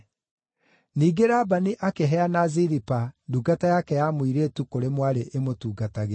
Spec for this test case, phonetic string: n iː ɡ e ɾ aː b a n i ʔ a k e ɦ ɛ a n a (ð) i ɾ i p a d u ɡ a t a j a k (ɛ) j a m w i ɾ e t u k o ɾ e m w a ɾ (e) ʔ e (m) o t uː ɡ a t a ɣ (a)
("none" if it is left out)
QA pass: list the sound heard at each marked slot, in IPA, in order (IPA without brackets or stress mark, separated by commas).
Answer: z, ɛ, e, m, e